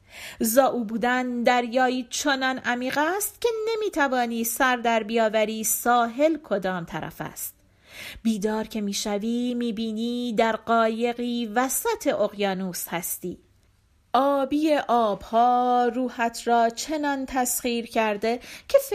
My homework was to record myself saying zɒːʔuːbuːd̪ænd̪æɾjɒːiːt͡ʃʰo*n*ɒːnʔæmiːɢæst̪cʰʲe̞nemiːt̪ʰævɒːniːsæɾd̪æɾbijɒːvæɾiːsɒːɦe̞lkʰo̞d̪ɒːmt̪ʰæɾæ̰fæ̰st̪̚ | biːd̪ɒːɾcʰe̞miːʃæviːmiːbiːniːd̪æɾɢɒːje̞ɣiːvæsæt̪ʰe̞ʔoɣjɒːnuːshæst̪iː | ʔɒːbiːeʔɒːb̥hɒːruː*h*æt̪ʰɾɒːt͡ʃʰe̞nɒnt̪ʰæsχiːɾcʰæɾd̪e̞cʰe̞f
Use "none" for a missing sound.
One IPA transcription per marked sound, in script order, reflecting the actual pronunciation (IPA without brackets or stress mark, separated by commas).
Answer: n, h